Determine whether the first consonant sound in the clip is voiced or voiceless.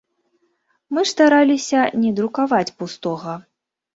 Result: voiced